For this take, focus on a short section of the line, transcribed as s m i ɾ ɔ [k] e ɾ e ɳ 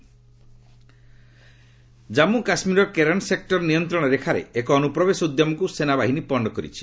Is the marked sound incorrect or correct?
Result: correct